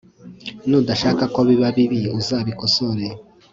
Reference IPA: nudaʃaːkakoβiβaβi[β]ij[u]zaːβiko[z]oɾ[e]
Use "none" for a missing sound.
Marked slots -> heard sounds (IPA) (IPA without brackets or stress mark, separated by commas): β, u, s, e